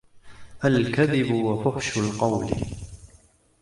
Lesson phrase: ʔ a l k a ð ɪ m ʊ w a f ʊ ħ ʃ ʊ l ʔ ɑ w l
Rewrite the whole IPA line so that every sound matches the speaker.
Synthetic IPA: ʔ a l k a ð ɪ b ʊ w a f ʊ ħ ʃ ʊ l q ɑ w l